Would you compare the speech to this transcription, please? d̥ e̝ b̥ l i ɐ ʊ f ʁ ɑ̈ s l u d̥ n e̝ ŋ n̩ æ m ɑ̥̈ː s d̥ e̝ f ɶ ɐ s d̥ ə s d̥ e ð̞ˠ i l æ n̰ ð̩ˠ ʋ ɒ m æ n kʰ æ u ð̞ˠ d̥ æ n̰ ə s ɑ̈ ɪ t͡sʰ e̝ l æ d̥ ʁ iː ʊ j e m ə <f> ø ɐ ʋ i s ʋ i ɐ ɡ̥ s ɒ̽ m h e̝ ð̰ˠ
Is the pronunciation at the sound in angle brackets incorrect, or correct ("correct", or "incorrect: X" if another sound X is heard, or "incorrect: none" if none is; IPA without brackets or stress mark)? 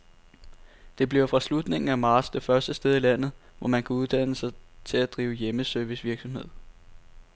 incorrect: s